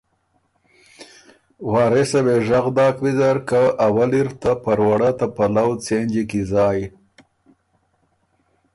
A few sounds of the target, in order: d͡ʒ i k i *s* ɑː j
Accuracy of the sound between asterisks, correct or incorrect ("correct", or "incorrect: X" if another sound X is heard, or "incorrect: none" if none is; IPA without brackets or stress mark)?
incorrect: z